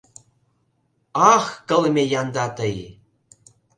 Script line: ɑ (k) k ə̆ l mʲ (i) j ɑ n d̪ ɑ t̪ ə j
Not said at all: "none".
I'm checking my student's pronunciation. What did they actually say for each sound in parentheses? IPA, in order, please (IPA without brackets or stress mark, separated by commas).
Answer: x, e